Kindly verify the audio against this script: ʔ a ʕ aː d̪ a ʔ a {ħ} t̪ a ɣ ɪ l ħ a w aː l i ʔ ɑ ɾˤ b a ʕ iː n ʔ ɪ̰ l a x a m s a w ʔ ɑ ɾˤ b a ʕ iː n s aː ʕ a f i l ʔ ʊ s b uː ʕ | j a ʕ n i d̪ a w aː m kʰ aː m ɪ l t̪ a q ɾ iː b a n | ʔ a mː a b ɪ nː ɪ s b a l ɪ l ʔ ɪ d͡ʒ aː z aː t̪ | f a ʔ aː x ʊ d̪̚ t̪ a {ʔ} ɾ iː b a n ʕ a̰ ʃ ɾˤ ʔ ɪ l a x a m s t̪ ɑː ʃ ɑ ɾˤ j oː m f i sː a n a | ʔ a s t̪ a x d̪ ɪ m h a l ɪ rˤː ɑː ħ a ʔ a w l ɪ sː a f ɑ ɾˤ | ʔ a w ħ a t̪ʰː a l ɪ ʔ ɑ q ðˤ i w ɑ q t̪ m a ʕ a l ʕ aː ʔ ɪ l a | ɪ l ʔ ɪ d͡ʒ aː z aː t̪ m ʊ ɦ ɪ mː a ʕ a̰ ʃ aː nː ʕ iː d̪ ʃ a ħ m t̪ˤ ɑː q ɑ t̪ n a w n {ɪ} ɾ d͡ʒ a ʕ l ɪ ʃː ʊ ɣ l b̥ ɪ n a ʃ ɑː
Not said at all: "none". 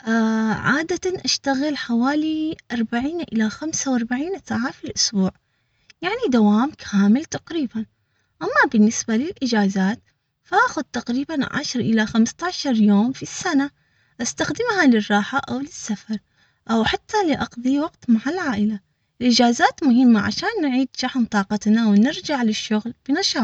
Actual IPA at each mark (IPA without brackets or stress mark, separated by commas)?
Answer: ʃ, q, ɪ